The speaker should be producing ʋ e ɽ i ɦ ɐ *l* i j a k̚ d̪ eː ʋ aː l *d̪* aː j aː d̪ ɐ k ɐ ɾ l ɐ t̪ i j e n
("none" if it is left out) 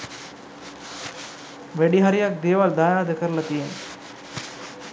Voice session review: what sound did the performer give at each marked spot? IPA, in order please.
ɾ, d̪

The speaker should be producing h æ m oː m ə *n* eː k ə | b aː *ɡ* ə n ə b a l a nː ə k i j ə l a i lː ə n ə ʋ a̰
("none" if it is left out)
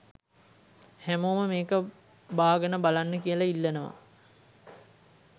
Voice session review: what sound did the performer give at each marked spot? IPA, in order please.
m, ɡ

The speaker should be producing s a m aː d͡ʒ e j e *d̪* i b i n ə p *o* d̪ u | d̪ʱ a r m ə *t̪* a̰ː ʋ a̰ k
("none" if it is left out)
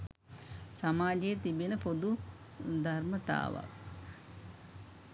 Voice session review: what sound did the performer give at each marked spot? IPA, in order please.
t̪, o, t̪

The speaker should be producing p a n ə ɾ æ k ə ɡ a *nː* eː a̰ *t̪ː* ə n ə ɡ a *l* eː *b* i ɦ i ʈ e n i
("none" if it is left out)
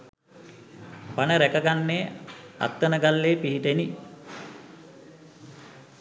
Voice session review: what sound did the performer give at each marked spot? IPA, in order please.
nː, t̪ː, lː, p

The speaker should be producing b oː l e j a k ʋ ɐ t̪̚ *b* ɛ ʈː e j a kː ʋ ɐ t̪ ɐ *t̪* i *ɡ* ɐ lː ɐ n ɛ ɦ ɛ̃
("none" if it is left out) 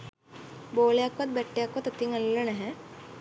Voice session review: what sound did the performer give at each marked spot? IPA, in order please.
b, t̪, ŋ

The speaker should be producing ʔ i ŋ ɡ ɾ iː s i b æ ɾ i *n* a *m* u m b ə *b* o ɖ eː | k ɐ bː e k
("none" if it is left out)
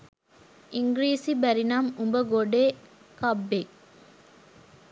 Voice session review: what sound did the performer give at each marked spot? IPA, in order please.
n, m, ɡ

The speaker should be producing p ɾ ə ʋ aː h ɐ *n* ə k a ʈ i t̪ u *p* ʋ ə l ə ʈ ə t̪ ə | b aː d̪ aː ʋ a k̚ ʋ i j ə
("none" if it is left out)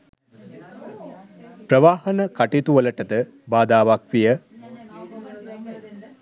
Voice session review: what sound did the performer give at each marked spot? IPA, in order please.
n, none

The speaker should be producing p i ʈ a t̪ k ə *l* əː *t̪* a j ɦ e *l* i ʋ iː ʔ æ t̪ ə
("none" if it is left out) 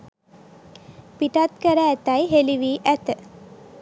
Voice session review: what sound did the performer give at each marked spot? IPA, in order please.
ɾ, t̪, l

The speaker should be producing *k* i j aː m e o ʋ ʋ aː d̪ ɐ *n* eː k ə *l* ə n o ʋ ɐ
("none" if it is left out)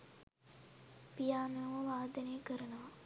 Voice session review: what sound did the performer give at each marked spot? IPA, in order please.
p, n, ɾ

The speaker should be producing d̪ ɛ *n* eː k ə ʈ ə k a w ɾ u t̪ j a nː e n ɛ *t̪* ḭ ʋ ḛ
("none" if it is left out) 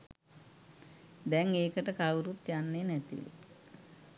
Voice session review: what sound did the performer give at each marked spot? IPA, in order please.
ŋ, t̪

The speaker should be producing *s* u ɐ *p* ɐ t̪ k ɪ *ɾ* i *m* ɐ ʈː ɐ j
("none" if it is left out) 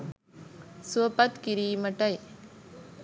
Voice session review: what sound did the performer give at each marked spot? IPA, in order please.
s, p, ɾ, m

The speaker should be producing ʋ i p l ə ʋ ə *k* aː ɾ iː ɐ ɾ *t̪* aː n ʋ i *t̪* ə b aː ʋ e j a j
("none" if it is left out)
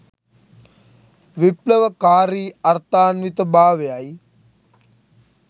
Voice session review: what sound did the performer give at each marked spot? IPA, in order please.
k, t̪, t̪

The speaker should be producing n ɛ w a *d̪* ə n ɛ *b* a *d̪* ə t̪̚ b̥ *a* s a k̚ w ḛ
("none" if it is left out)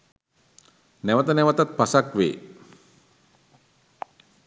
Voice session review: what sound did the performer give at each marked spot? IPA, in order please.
t̪, w, t̪, a

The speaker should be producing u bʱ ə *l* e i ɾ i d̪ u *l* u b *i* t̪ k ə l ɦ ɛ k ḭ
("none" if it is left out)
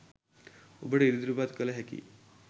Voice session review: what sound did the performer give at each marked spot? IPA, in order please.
ɽ, ɾ, a

